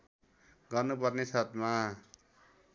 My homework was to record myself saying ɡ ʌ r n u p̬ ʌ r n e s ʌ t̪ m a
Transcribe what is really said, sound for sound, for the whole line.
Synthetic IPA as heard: ɡ ʌ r n u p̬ ʌ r n e s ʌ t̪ m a

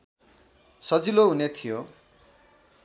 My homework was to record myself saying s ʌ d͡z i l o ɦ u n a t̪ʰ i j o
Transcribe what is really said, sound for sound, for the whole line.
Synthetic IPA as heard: s ʌ d͡z i l o ɦ u n e t̪ʰ i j o

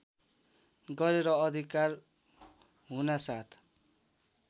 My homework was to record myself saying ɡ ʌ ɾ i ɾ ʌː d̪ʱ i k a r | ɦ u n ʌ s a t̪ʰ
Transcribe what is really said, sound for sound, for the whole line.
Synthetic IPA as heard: ɡ ʌ ɾ e ɾ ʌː d̪ʱ i k a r | ɦ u n a s a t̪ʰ

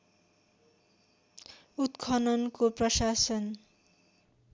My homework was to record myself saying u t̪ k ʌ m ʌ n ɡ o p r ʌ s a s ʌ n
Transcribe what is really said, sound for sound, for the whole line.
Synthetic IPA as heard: u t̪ kʰ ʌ n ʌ n k o p r ʌ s a s ʌ n

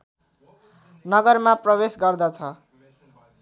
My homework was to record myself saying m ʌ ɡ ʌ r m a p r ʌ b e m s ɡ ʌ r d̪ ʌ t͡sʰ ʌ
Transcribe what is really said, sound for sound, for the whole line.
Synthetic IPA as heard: n ʌ ɡ ʌ r m a p r ʌ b e s ɡ ʌ r d̪ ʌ t͡sʰ ʌ

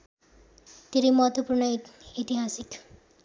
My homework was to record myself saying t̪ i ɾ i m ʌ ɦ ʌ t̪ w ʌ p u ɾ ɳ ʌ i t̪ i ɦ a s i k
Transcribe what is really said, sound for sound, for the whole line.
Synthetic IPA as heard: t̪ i ɾ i m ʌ ɦ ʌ t̪ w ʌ p u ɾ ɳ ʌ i t̪ i ɦ a s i k

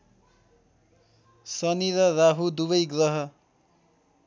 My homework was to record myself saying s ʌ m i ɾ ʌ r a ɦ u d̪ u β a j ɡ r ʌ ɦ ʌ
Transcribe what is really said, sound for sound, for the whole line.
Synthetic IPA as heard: s ʌ n i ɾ ʌ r a ɦ u d̪ u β ʌ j ɡ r ʌ ɦ ʌ

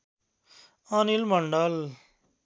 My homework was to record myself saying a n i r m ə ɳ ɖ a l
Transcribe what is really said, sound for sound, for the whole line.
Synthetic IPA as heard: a n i l m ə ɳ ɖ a l

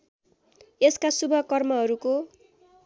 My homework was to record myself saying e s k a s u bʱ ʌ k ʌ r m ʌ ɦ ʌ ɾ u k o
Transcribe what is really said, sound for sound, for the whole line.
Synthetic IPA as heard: e s k a s u bʱ ʌ k ʌ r m ʌ ɦ ʌ ɾ u k o

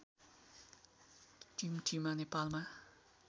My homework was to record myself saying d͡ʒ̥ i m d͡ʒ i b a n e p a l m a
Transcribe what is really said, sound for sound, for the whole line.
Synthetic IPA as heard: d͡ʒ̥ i m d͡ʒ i m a n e p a l m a

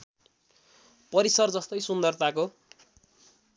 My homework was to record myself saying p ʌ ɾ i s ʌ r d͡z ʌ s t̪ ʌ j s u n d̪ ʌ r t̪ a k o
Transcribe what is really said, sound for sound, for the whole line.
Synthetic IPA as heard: p ʌ ɾ i s ʌ r d͡z ʌ s t̪ ʌ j s u n d̪ ʌ r t̪ a k o

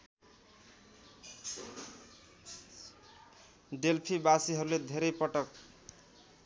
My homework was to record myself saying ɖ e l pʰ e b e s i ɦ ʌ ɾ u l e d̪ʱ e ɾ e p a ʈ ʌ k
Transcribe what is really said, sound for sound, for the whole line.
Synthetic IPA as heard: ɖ e l pʰ i b a s i ɦ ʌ ɾ u l e d̪ʱ e ɾ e p ʌ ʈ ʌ k

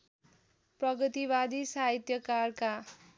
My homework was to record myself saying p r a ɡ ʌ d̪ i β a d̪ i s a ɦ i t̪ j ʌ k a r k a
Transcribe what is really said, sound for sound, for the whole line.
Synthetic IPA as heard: p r ʌ ɡ ʌ t̪ i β a d̪ i s a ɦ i t̪ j ʌ k a r k a

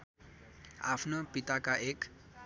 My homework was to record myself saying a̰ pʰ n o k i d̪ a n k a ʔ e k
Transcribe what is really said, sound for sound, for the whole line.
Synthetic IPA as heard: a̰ pʰ n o p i t̪ a k a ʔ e k

